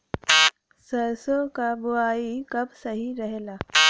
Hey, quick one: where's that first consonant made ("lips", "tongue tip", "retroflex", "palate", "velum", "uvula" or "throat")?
tongue tip